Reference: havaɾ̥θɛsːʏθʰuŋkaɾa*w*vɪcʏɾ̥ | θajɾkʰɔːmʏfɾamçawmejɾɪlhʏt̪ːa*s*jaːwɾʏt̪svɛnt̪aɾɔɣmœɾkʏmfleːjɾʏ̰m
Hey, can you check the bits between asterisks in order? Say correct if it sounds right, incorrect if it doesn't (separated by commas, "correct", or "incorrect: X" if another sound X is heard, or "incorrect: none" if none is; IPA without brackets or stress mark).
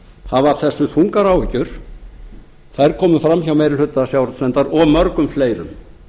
correct, correct